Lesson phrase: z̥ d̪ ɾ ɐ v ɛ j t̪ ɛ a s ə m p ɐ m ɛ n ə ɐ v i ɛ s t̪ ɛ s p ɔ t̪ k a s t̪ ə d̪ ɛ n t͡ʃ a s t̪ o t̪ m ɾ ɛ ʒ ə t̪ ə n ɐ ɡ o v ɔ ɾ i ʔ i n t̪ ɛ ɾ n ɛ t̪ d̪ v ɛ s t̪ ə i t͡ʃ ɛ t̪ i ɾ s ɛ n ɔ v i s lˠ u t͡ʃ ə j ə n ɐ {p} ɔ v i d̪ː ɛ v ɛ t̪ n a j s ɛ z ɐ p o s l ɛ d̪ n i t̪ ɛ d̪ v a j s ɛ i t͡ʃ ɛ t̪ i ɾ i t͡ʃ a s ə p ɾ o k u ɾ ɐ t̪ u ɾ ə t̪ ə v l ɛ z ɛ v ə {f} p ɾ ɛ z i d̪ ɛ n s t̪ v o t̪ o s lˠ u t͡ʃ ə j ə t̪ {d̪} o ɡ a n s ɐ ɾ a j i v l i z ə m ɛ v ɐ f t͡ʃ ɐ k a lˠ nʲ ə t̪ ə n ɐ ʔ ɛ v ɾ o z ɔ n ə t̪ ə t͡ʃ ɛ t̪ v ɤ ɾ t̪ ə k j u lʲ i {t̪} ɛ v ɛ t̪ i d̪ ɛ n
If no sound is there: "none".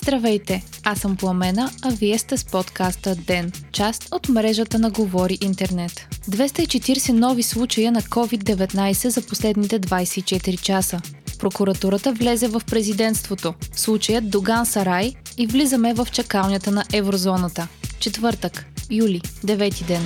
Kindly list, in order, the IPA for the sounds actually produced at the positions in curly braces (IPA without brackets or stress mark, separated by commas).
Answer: k, f, d̪, d̪